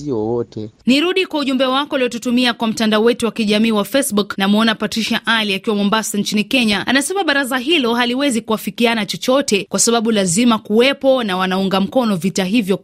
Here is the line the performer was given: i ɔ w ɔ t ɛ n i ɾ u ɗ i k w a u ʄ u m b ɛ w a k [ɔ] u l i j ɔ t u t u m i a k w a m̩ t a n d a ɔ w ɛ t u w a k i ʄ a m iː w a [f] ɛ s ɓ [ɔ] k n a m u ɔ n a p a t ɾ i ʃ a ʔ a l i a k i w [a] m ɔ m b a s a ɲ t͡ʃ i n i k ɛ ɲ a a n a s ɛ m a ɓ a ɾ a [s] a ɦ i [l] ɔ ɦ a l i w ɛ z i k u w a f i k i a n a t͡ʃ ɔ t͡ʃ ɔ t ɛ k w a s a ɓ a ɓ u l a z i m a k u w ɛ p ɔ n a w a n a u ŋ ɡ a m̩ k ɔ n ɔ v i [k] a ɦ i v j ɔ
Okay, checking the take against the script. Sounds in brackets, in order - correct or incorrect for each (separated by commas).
correct, correct, incorrect, correct, incorrect, correct, incorrect